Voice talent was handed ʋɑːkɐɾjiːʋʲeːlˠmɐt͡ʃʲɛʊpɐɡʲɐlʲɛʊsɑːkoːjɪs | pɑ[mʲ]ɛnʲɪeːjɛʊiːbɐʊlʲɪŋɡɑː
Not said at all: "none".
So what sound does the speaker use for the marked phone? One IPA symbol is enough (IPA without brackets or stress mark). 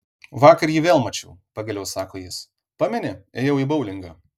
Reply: mʲ